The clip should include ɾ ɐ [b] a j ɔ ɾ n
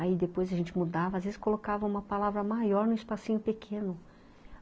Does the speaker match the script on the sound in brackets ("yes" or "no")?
no